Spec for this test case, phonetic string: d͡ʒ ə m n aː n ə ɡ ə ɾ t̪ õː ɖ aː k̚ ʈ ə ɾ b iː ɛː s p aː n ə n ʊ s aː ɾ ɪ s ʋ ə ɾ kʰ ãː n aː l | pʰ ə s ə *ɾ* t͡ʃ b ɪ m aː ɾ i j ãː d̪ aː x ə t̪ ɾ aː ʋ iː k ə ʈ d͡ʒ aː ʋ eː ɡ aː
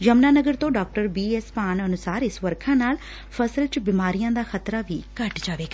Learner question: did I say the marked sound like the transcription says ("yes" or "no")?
no